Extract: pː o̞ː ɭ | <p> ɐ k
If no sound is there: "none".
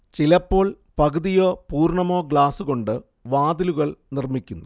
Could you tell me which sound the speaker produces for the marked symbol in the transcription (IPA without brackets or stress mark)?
p